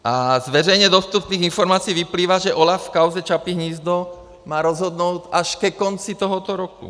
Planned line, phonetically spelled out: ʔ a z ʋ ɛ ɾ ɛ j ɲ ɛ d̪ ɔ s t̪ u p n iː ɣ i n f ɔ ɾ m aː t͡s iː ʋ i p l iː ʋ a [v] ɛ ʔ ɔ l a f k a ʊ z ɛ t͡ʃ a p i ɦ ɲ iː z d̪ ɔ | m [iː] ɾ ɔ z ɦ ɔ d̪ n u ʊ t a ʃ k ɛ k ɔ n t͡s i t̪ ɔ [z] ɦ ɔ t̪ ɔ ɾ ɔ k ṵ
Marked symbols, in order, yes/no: no, no, no

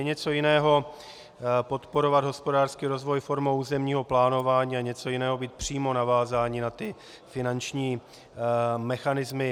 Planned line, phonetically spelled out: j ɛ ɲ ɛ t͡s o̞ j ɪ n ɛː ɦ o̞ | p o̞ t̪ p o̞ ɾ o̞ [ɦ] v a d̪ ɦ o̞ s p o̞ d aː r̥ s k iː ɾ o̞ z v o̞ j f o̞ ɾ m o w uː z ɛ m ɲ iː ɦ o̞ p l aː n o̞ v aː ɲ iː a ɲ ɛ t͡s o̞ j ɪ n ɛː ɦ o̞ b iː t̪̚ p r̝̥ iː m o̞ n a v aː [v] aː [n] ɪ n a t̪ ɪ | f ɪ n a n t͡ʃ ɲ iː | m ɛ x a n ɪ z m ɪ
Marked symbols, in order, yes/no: no, no, no

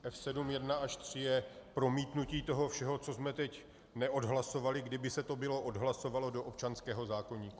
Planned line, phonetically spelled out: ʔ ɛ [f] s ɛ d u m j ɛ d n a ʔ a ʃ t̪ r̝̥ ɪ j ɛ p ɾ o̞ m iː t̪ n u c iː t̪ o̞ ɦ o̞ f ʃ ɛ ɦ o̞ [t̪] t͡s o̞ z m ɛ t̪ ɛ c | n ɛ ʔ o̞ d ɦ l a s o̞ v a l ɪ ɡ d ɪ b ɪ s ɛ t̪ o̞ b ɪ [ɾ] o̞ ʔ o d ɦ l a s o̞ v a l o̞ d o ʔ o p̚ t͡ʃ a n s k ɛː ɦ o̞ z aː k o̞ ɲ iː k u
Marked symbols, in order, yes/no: yes, no, no

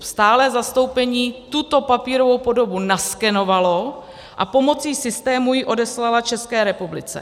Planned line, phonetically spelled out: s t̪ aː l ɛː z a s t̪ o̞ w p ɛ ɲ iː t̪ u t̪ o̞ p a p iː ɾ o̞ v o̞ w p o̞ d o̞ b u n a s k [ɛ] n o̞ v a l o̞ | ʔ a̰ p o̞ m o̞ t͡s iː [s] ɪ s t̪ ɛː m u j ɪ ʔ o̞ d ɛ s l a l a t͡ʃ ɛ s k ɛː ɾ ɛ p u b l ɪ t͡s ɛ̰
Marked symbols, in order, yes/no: yes, yes

